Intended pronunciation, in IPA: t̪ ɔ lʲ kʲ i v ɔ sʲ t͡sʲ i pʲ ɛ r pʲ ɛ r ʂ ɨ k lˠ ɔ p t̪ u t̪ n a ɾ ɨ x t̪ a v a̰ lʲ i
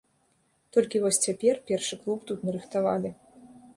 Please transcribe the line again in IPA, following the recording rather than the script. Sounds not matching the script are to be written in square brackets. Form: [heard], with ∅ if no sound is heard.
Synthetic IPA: t̪ ɔ lʲ kʲ i v ɔ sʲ t͡sʲ [a] pʲ ɛ r pʲ ɛ r ʂ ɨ k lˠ [u] p t̪ u t̪ n [ɐ] ɾ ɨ x t̪ a v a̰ lʲ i